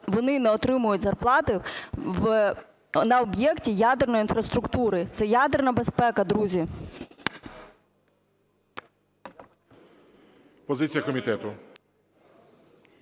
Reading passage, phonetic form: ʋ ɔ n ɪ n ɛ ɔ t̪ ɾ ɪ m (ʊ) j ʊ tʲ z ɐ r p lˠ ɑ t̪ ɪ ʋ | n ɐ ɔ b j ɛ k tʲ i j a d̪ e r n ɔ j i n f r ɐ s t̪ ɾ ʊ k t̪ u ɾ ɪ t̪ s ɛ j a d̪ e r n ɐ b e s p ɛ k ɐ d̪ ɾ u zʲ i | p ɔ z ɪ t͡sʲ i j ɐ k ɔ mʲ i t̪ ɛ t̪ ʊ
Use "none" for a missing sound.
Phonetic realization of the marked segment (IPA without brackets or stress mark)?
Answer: ʊ